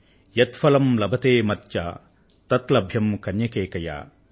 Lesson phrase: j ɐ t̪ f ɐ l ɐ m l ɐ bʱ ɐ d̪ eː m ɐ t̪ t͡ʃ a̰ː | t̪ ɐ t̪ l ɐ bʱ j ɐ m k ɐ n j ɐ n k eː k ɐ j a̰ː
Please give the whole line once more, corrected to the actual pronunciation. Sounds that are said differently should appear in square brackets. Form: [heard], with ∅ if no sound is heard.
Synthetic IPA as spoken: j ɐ t̪ f ɐ l ɐ m l ɐ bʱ ɐ [t̪] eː m ɐ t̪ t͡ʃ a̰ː | t̪ ɐ t̪ l ɐ bʱ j ɐ m k ɐ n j ɐ [∅] k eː k ɐ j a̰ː